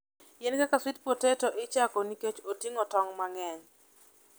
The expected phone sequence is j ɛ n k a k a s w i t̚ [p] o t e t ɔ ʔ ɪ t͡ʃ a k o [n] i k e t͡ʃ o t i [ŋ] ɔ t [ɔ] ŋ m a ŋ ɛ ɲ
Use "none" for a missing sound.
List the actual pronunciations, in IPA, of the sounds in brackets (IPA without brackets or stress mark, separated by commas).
p, n, ŋ, ɔ